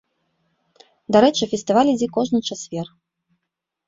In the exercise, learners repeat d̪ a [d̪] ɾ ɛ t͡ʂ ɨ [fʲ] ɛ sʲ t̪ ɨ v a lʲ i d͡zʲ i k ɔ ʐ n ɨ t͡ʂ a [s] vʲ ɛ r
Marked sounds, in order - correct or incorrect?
incorrect: none, correct, correct

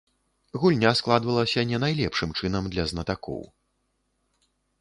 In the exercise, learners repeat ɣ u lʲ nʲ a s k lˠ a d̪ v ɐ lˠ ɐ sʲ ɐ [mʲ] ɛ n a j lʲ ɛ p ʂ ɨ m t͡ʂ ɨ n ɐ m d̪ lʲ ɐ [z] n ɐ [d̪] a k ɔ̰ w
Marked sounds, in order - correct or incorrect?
incorrect: nʲ, correct, incorrect: t̪

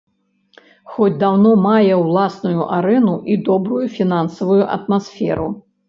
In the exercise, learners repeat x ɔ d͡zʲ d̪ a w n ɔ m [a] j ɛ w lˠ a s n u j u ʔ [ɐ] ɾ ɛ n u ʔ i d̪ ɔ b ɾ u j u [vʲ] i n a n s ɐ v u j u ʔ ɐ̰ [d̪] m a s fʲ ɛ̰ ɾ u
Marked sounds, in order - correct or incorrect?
correct, incorrect: a, incorrect: fʲ, incorrect: t̪

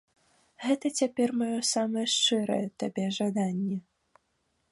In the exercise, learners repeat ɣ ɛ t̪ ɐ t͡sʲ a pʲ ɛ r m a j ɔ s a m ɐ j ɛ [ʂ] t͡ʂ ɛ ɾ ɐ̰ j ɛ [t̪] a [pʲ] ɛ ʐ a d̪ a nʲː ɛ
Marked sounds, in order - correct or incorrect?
correct, correct, incorrect: bʲ

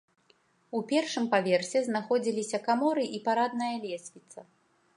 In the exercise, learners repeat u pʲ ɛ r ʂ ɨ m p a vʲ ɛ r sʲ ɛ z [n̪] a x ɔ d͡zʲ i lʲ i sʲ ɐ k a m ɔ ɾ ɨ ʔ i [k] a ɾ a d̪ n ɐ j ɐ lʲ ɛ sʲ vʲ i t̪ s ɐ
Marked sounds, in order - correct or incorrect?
correct, incorrect: p

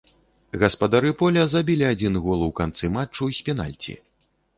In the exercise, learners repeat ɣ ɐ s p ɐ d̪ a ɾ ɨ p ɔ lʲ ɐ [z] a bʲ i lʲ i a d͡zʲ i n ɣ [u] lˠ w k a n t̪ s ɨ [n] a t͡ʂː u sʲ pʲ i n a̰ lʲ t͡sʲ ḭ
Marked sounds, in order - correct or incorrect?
correct, incorrect: ɔ, incorrect: m

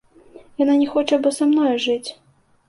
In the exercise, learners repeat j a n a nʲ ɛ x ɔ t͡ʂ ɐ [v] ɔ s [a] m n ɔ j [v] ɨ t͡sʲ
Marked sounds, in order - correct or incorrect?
incorrect: b, correct, incorrect: ʐ

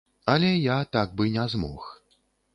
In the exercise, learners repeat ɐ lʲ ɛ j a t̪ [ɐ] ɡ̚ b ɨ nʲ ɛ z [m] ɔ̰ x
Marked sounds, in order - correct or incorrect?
incorrect: a, correct

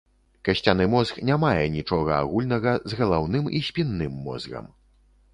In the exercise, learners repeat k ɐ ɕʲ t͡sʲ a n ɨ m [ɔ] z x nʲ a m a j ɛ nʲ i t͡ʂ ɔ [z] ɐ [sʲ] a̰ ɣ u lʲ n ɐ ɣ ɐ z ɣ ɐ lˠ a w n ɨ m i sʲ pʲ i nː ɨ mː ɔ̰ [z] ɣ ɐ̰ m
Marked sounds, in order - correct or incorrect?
correct, incorrect: ɣ, incorrect: none, correct

